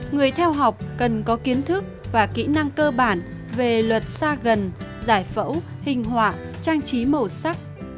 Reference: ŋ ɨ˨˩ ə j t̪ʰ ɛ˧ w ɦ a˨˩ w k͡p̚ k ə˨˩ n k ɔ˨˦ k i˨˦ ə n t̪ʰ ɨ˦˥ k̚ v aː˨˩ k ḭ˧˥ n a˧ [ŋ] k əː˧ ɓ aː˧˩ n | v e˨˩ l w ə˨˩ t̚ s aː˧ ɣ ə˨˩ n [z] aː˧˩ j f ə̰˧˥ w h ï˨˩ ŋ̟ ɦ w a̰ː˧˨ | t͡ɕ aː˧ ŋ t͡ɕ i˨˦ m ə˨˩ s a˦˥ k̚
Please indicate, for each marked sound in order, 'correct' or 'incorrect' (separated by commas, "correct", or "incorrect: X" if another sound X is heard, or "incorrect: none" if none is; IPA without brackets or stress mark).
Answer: correct, correct